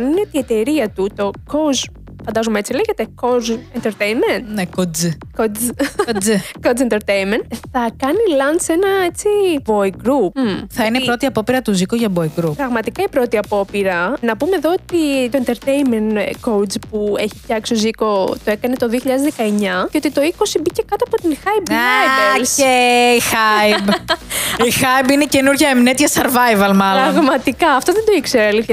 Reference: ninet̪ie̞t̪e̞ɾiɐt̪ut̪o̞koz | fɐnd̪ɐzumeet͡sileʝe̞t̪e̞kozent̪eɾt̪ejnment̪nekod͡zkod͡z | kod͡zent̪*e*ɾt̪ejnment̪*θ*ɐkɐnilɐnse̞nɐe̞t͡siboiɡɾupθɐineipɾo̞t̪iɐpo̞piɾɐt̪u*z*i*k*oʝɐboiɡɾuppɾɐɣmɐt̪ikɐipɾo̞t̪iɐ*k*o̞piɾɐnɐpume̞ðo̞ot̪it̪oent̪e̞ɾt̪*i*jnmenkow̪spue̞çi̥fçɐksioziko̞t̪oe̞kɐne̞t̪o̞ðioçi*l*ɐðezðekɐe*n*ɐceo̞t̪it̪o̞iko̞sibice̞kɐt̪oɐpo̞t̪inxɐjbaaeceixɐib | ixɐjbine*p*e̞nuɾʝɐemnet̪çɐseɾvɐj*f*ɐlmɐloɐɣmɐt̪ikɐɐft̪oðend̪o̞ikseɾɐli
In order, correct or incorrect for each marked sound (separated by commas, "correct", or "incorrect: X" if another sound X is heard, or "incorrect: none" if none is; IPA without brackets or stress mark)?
correct, correct, correct, correct, incorrect: p, incorrect: e, incorrect: ʎ, incorrect: ɲ, incorrect: c, incorrect: v